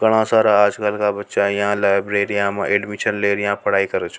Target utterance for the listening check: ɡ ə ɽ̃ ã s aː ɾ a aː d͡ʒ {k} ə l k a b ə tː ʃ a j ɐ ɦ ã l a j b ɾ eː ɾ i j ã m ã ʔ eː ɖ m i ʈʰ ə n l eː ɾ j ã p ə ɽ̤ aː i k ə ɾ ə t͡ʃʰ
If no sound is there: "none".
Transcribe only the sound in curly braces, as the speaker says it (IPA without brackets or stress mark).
k